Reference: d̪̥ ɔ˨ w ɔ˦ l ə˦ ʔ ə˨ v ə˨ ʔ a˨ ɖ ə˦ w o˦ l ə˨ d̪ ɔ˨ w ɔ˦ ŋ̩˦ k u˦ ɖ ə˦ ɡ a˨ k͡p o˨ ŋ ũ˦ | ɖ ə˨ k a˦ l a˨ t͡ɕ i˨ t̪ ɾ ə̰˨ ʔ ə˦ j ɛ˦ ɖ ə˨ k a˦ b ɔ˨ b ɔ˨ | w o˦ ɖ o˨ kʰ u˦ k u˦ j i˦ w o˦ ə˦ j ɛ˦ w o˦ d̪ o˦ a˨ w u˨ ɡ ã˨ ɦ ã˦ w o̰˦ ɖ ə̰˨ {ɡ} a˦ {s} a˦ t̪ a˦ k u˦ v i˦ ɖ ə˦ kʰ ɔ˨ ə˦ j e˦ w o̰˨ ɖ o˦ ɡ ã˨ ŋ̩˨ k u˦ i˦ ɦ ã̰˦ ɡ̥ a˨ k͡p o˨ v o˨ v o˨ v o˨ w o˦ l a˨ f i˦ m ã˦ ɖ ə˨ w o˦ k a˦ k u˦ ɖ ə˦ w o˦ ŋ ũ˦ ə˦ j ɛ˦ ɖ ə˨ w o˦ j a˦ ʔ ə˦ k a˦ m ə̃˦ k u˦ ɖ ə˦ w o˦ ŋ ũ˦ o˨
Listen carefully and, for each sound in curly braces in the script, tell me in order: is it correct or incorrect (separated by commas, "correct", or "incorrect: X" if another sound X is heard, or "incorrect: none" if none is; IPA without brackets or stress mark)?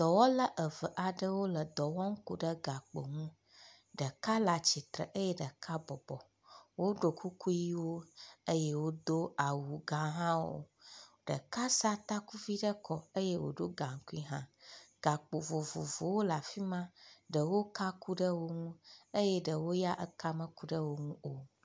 incorrect: k, correct